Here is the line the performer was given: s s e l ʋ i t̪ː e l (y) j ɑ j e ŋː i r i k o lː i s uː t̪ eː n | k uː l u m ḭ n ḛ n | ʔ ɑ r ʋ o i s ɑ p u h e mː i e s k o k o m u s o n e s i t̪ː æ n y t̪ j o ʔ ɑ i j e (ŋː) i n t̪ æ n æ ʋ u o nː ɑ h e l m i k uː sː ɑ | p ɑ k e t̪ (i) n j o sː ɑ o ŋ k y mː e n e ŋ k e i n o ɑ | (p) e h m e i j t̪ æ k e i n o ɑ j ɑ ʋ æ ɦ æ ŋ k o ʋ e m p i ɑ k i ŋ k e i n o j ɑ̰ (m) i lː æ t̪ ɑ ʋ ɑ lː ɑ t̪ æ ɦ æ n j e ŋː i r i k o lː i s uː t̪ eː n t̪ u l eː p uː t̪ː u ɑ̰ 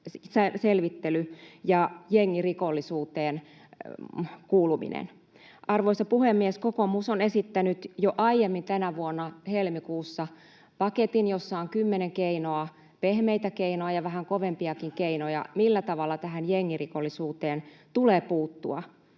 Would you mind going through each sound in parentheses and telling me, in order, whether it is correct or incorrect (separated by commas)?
correct, incorrect, correct, correct, correct